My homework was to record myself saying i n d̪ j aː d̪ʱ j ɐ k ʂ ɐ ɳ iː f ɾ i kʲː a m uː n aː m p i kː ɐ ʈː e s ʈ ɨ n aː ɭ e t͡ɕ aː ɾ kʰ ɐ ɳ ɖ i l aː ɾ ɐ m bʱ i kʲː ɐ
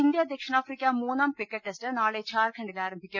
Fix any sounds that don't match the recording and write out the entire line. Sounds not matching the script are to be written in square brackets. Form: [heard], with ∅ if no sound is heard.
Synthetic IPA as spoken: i n d̪ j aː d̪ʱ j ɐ k ʂ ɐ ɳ [aː] f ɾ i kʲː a m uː n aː m p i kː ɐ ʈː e s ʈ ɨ n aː ɭ e t͡ɕ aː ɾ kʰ ɐ ɳ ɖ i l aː ɾ ɐ m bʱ i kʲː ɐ